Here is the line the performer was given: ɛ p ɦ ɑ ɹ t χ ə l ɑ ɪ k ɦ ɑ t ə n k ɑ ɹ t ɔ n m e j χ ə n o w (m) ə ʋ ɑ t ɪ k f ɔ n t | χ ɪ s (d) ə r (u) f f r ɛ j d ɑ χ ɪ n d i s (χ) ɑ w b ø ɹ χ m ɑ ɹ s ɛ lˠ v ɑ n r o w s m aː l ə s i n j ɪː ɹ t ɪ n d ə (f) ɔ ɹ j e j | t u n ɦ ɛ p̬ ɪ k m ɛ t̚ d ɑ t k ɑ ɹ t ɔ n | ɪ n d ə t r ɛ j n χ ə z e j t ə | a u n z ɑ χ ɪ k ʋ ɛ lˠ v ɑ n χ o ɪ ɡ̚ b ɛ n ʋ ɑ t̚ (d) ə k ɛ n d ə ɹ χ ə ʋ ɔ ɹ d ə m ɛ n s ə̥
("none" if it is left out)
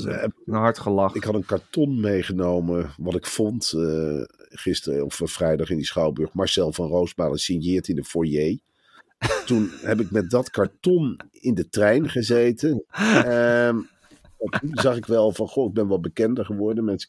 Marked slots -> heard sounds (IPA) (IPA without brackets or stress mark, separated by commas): m, t, ɔ, χ, f, b